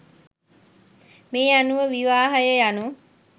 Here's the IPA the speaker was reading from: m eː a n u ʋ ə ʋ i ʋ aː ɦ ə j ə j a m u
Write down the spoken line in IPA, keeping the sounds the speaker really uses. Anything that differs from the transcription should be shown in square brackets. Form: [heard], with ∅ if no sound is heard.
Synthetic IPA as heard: m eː a n u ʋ ə ʋ i ʋ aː ɦ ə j ə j a [n] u